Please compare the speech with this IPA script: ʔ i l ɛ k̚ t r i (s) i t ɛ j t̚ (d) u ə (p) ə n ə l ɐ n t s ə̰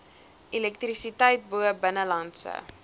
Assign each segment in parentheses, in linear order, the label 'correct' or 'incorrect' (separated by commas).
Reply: correct, incorrect, incorrect